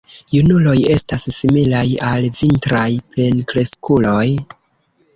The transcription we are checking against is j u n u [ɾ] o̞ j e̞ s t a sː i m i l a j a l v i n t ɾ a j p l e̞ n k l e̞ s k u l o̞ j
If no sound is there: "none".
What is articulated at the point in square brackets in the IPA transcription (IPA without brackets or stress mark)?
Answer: l